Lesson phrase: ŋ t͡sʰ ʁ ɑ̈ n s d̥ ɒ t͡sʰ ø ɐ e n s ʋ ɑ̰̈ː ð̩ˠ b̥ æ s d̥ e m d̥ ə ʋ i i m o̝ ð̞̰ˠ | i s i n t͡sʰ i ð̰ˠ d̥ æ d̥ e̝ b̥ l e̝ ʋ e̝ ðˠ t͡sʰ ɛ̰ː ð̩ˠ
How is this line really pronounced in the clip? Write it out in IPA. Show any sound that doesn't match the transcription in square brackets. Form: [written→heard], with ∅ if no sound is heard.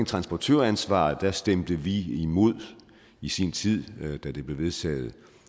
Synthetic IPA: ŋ t͡sʰ ʁ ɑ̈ n s [d̥→b̥] ɒ t͡sʰ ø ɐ [e→æ] n s ʋ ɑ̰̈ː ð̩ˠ [b̥→d̥] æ s d̥ e m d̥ ə ʋ i i m o̝ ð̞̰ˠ | i s i n t͡sʰ i ð̰ˠ d̥ æ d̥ e̝ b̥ l e̝ ʋ e̝ ðˠ t͡sʰ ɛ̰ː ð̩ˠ